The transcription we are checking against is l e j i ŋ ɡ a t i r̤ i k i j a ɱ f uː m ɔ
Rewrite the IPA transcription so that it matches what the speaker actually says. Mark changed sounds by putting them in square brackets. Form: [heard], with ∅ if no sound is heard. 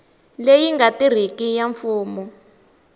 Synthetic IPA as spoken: l e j i ŋ ɡ a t i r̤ i k i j a ɱ f uː m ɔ